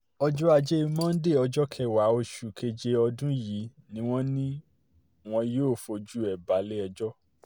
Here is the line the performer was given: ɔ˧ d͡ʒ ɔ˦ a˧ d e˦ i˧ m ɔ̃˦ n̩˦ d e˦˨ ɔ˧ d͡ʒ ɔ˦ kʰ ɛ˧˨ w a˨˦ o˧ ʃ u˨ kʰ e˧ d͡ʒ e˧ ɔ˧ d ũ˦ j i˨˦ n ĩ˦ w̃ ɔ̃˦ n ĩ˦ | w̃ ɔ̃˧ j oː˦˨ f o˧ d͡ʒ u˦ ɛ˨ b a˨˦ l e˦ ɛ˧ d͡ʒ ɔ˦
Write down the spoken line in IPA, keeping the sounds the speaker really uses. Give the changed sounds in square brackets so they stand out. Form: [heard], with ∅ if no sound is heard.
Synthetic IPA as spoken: ɔ˧ d͡ʒ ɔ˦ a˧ [d͡ʒ] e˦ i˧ m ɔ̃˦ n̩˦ d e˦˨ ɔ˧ d͡ʒ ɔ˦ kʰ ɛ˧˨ w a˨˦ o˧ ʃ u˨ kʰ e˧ d͡ʒ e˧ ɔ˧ d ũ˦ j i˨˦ n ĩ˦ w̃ ɔ̃˦ n ĩ˦ | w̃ ɔ̃˧ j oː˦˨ f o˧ d͡ʒ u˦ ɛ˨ b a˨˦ l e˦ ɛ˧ d͡ʒ ɔ˦

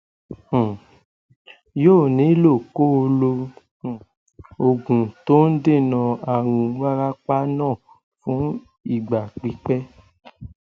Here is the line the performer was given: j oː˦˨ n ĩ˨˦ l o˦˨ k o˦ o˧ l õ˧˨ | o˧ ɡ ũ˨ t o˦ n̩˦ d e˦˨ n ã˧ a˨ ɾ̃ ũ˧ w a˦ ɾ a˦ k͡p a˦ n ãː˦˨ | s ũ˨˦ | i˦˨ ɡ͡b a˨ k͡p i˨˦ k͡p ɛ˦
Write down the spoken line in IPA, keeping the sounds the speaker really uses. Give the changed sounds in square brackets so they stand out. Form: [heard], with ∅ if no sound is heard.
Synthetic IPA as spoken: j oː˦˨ n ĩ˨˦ l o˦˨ k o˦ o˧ l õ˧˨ | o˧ ɡ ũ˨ t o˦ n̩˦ d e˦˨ n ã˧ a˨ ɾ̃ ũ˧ w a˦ ɾ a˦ k͡p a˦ n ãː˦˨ | [f] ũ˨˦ | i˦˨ ɡ͡b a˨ k͡p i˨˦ k͡p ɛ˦

